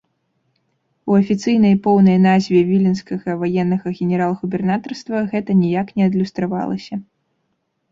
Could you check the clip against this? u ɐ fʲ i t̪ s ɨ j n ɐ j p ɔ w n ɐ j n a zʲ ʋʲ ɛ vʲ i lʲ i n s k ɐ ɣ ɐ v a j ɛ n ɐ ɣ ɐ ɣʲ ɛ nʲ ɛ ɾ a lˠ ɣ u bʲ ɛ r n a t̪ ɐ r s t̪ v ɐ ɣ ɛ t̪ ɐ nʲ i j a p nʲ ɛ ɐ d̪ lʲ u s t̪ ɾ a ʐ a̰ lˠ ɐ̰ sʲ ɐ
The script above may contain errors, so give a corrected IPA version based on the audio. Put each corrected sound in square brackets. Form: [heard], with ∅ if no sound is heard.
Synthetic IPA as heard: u ɐ fʲ i t̪ s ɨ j n ɐ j p ɔ w n ɐ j n a zʲ [vʲ] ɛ vʲ i lʲ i n s k ɐ ɣ ɐ v a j ɛ [nː] ɐ ɣ ɐ ɣʲ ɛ nʲ ɛ ɾ a lˠ ɣ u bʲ ɛ r n a t̪ ɐ r s t̪ v ɐ ɣ ɛ t̪ ɐ nʲ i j a [k] nʲ ɛ ɐ d̪ lʲ u s t̪ ɾ a [v] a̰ lˠ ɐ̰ sʲ ɐ